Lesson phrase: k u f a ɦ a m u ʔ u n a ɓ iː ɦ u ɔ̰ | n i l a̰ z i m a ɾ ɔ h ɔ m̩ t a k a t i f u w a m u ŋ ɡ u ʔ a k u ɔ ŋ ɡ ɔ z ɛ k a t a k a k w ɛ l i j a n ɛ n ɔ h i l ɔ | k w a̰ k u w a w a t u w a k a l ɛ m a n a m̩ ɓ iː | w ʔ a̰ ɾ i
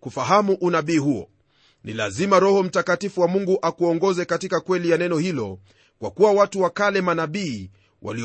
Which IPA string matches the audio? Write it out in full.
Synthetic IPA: k u f a ɦ a m u ʔ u n a ɓ iː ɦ u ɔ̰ | n i l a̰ z i m a ɾ ɔ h ɔ m̩ t a k a t i f u w a m u ŋ ɡ u ʔ a k u ɔ ŋ ɡ ɔ z ɛ k a t i k a k w ɛ l i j a n ɛ n ɔ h i l ɔ | k w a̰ k u w a w a t u w a k a l ɛ m a n a ɓ iː | w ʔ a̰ l i